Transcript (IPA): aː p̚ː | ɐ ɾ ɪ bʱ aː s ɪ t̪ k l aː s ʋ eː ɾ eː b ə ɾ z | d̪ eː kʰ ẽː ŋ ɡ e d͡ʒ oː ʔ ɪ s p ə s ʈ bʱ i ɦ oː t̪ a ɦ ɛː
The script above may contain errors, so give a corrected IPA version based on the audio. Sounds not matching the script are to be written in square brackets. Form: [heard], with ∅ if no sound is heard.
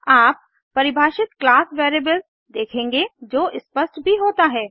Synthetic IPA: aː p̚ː | ɐ ɾ ɪ bʱ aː [ʃ] ɪ t̪ k l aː s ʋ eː ɾ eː b ə [l] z | d̪ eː kʰ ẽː ŋ ɡ e d͡ʒ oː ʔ ɪ s p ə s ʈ bʱ i ɦ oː t̪ a ɦ ɛː